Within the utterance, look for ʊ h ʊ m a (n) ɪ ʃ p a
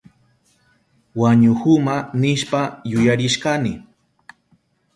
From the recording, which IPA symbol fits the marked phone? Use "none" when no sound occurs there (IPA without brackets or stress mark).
n